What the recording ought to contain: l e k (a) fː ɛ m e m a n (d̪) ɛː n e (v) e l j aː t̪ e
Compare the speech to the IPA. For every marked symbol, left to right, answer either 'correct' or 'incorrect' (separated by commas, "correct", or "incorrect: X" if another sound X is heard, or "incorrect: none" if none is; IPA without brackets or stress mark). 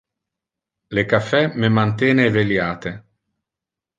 correct, incorrect: t̪, correct